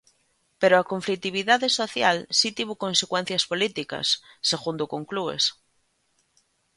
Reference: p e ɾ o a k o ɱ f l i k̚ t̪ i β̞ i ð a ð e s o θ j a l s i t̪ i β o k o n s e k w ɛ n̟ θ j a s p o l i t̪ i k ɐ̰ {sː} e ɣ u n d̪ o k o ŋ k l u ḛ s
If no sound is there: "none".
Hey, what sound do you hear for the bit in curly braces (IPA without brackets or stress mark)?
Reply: sː